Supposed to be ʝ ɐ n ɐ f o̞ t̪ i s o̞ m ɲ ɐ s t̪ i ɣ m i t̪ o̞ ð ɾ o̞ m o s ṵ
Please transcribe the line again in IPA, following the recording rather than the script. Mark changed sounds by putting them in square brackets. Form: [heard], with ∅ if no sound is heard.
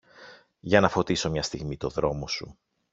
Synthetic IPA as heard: ʝ ɐ n ɐ f o̞ t̪ i s o̞ m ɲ ɐ s t̪ i ɣ m i t̪ o̞ ð ɾ o̞ m o s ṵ